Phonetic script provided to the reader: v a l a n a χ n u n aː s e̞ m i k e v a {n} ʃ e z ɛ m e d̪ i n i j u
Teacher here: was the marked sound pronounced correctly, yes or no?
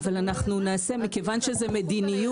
yes